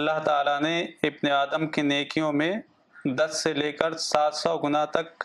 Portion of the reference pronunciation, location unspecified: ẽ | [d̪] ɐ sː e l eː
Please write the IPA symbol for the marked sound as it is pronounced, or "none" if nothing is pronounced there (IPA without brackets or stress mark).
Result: d̪